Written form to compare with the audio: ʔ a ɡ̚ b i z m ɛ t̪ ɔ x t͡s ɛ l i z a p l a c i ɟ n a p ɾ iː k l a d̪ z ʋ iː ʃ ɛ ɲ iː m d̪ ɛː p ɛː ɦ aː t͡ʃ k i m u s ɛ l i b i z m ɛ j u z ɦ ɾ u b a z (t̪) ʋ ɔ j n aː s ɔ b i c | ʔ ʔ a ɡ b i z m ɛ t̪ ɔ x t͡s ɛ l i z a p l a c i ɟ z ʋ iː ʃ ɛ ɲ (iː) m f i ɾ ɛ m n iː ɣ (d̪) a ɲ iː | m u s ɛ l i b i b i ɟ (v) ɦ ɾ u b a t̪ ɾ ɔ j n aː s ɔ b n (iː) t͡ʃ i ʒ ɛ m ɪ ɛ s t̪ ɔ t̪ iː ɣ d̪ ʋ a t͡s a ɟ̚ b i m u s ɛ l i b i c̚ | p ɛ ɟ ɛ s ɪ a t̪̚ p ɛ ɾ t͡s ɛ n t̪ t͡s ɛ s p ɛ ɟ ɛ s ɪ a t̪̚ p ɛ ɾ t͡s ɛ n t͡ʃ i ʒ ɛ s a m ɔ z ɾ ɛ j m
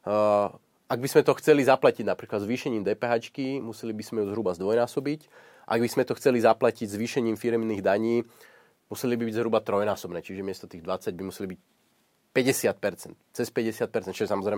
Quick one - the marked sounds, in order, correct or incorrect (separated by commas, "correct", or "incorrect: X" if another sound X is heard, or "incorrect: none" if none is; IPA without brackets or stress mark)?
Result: incorrect: d̪, correct, correct, incorrect: z, incorrect: ɛː